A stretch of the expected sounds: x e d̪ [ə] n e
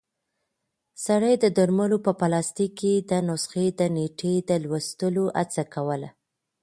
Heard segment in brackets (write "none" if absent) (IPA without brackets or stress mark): ə